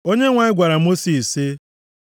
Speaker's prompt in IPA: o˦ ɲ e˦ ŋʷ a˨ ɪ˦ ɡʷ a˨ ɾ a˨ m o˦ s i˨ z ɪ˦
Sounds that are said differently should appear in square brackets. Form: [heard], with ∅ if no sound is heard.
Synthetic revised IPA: o˦ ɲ e˦ ŋʷ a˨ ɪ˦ ɡʷ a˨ ɾ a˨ m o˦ s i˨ [s] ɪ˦